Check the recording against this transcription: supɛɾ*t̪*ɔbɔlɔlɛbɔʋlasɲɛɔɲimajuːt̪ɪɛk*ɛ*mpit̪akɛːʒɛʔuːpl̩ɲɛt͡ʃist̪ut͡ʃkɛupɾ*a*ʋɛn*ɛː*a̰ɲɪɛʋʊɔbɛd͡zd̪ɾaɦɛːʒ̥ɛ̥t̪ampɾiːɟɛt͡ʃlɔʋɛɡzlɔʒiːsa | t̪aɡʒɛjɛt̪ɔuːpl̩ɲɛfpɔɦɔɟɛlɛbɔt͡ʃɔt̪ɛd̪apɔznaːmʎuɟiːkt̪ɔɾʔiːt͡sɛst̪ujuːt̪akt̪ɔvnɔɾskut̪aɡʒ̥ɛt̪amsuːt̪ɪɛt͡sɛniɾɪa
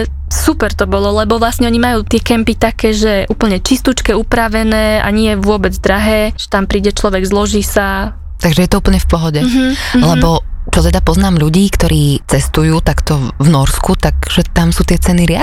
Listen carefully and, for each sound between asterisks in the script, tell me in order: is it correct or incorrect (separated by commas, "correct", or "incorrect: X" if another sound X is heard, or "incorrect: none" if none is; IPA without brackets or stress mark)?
correct, correct, correct, correct